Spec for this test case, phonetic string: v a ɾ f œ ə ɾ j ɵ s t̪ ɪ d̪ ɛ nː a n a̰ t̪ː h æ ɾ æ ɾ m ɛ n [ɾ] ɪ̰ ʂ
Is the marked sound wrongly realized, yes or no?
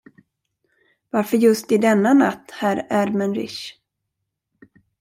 no